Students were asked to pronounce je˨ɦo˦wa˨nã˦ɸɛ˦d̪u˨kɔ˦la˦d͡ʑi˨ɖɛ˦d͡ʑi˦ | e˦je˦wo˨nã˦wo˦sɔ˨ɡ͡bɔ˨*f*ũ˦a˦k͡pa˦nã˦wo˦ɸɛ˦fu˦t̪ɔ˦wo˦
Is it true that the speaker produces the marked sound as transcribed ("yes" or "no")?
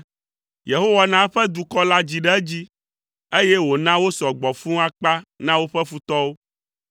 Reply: yes